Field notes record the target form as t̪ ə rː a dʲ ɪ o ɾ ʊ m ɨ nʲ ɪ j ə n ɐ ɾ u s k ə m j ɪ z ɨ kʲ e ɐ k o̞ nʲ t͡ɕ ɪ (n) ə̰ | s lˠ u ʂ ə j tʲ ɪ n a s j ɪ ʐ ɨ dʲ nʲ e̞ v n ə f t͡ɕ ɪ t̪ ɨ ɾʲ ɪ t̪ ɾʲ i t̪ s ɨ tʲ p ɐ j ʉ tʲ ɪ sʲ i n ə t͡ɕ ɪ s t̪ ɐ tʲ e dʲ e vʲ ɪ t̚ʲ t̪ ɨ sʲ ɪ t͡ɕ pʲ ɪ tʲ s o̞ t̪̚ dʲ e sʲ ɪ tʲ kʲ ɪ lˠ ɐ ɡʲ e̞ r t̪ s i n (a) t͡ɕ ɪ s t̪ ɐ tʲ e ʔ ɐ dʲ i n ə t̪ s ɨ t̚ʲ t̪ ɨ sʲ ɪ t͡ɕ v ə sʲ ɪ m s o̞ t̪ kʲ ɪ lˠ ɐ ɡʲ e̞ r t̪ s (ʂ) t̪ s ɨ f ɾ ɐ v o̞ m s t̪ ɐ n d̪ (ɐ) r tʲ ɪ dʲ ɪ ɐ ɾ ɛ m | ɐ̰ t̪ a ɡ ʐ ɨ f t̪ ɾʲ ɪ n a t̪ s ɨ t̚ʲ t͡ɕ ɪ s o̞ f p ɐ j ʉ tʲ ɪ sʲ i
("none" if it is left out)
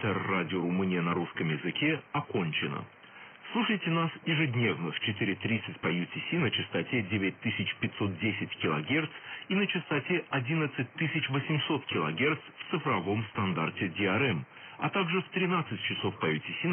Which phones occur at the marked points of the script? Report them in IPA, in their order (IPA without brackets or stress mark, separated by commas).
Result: n, ə, f, a